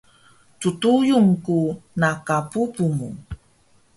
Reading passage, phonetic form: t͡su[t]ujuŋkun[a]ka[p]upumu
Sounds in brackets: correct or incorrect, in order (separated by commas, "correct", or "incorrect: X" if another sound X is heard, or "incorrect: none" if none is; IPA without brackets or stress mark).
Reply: correct, correct, correct